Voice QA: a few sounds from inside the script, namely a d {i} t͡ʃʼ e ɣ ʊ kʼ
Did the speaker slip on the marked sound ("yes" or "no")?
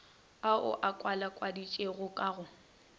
no